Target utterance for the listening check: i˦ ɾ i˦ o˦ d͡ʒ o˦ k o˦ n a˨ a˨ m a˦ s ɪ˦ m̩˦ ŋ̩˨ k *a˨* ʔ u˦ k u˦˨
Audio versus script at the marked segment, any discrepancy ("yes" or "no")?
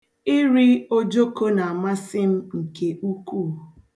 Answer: yes